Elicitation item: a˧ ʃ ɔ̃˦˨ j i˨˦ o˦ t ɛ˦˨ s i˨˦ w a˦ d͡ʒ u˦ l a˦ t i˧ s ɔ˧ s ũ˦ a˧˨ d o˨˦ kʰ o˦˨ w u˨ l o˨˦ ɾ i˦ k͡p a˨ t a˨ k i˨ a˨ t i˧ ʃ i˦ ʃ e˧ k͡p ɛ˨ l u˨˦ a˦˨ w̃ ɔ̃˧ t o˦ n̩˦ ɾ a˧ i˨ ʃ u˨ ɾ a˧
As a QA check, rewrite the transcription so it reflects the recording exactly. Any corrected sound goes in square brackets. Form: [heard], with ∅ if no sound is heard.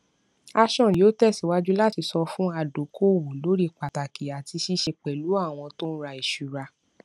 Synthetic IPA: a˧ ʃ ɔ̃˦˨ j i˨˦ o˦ t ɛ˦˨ s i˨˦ w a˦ d͡ʒ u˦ l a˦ t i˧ s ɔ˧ [f] ũ˦ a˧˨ d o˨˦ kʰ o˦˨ w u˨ l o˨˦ ɾ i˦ k͡p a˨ t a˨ k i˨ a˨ t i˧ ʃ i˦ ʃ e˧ k͡p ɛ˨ l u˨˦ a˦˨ w̃ ɔ̃˧ t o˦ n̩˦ ɾ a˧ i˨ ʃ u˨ ɾ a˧